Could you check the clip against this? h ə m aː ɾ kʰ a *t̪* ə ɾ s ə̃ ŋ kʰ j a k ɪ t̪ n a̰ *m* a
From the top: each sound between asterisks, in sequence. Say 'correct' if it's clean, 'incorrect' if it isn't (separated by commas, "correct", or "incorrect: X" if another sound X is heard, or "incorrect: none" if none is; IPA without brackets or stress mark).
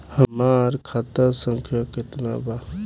correct, incorrect: b